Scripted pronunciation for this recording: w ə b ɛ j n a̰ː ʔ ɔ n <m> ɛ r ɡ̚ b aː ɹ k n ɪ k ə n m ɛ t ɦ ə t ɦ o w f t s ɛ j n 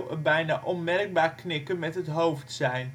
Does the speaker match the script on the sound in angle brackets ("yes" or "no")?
yes